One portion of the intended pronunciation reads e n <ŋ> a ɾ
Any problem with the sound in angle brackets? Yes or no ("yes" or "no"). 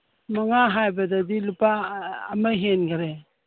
yes